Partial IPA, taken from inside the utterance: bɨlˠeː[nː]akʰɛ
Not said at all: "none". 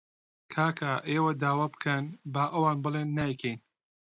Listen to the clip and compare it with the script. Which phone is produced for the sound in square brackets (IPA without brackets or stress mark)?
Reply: nː